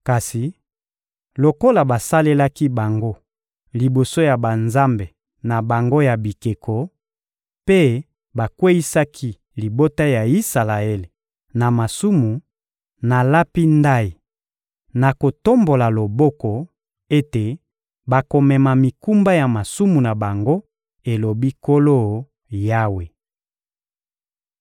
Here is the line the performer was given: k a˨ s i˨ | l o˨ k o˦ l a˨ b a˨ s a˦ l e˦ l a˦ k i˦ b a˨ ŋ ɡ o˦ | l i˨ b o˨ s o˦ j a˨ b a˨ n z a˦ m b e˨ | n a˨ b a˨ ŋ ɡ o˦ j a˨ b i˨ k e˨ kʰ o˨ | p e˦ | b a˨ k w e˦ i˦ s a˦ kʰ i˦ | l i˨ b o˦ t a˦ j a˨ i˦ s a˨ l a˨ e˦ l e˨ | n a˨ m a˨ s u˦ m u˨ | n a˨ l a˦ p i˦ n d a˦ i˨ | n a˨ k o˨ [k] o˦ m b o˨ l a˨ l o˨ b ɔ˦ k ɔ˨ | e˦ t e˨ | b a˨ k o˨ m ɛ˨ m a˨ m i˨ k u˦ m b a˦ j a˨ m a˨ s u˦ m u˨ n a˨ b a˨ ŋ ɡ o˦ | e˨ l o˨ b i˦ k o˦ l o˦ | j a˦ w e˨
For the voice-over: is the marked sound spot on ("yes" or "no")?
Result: no